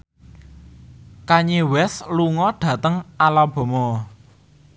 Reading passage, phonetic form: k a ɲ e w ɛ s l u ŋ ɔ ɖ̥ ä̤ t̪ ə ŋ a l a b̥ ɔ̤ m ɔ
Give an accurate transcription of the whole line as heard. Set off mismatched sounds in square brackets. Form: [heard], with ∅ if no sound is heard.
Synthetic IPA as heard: k a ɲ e w ɛ s l u ŋ ɔ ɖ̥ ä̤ t̪ ə ŋ a l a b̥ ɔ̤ m ɔ